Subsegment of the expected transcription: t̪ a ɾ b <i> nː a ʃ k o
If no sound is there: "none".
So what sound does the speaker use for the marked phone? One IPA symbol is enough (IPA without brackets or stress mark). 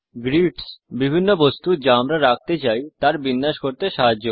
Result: i